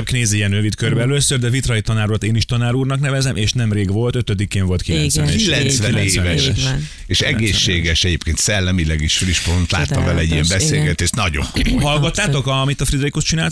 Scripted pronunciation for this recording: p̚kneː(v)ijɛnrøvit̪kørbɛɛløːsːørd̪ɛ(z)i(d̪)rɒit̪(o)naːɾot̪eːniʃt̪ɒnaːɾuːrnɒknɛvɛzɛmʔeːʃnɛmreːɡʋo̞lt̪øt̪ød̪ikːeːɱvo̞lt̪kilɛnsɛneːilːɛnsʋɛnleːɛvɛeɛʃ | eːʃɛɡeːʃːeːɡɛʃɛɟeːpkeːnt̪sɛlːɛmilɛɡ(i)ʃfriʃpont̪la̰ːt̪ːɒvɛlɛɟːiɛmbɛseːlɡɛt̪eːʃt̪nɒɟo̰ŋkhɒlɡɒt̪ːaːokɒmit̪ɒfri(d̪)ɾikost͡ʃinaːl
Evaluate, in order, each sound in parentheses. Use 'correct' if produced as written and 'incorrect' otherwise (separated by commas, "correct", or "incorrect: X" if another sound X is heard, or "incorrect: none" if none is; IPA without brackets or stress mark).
incorrect: z, incorrect: v, incorrect: t̪, incorrect: ɒ, correct, correct